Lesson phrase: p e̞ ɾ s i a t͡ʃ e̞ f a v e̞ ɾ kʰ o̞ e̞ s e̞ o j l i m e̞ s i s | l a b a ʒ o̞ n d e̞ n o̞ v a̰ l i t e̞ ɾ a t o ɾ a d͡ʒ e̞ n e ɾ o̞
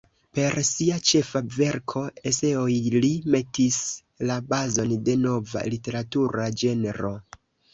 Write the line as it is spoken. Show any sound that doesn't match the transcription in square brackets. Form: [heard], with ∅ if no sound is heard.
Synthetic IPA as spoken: p e̞ ɾ s i a t͡ʃ e̞ f a v e̞ ɾ kʰ o̞ e̞ s e̞ o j l i m e̞ [t] i s | l a b a [z] o̞ n d e̞ n o̞ v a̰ l i t e̞ ɾ a t [u] ɾ a d͡ʒ e̞ n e ɾ o̞